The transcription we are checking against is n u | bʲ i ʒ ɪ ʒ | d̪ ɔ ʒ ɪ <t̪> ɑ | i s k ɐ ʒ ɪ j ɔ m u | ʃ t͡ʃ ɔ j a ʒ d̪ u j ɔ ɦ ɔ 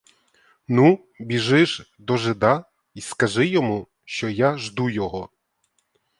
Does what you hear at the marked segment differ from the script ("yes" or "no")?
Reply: yes